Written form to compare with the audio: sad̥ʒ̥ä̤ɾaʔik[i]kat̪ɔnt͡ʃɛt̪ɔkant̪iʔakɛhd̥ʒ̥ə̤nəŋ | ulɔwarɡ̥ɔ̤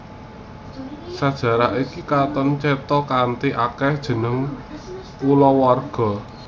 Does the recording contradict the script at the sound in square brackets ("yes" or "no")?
no